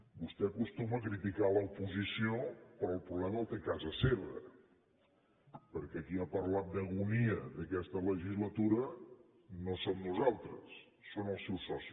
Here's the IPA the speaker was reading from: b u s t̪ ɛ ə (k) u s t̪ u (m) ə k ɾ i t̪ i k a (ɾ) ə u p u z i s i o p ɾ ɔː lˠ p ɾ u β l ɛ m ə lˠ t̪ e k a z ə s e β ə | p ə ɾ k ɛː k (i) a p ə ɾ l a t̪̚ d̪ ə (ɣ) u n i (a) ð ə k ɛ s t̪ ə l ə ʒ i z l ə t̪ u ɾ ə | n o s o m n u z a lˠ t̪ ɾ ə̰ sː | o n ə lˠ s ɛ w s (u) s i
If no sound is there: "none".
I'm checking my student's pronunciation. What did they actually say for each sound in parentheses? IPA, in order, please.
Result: k, m, l, i, ɣ, ə, ɔ

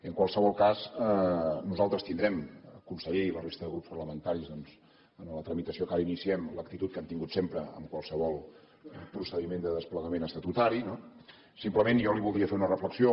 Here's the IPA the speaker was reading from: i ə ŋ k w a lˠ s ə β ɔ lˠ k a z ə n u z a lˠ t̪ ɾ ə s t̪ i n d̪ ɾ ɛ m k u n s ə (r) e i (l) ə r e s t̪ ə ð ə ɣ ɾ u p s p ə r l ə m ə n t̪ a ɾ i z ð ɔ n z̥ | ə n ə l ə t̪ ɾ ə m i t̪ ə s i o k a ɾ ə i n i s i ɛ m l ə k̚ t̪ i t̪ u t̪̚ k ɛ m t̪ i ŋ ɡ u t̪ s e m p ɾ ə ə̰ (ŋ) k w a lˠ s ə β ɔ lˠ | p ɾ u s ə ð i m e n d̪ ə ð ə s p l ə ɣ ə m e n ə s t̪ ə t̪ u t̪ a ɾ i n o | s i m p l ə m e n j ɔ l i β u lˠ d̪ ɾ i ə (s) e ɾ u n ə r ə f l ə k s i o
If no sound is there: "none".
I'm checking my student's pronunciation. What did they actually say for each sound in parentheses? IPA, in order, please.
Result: ʎ, l, m, f

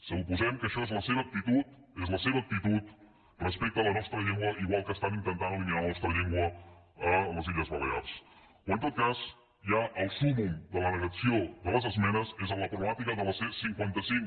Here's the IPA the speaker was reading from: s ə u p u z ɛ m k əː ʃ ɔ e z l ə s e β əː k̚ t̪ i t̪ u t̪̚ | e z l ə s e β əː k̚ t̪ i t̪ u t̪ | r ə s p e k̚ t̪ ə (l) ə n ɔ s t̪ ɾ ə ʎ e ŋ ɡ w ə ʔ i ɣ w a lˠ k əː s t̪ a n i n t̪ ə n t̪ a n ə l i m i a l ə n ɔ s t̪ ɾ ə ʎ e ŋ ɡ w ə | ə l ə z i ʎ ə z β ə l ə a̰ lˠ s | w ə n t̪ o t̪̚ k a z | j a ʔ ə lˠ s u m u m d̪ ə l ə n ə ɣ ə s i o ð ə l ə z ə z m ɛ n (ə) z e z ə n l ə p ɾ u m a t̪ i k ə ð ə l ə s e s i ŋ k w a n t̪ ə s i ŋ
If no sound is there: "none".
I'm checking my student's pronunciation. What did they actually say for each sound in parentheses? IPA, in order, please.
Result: l, ə

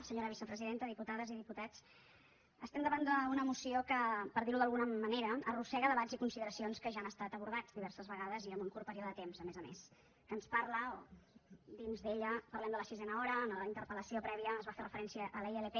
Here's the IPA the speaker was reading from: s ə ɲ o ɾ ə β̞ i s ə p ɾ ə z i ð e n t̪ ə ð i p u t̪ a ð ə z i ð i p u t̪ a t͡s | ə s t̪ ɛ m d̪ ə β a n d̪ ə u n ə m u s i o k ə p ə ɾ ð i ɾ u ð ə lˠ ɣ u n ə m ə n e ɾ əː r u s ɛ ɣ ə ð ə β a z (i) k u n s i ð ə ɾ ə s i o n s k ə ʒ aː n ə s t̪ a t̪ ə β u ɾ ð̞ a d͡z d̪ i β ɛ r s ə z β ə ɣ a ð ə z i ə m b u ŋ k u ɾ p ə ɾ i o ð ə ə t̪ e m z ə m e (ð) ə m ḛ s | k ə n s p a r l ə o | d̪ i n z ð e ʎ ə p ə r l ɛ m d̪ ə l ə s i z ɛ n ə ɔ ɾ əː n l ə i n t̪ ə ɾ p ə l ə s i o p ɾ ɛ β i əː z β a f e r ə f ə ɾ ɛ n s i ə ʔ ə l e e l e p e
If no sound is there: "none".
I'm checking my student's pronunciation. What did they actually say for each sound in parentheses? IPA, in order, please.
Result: i, z

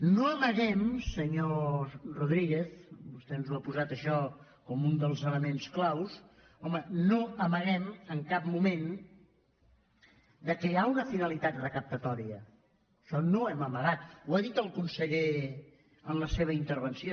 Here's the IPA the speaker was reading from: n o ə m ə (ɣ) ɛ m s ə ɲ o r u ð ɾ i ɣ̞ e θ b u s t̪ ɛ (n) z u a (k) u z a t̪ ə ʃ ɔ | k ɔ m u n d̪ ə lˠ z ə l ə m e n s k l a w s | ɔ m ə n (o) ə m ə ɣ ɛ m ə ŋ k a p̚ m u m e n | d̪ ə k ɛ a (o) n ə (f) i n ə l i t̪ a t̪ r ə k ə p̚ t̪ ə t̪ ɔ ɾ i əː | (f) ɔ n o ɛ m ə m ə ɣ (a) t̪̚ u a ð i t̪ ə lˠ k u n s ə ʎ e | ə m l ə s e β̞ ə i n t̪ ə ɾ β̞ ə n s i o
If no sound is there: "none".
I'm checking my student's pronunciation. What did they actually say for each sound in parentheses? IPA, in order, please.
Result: ɣ, n, p, o, u, f, ʃ, a

